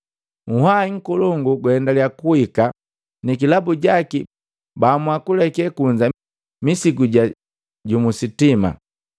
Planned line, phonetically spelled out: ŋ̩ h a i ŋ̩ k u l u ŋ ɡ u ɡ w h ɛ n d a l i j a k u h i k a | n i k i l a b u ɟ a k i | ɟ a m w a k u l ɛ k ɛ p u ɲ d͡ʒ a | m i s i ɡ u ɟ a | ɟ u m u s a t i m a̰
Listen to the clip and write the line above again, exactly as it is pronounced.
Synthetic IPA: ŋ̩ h a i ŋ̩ k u l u ŋ ɡ u ɡ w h ɛ n d a l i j a k u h i k a | n i k i l a b u ɟ a k i | b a m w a k u l ɛ k ɛ k u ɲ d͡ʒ a | m i s i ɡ u ɟ a | ɟ u m u s i t i m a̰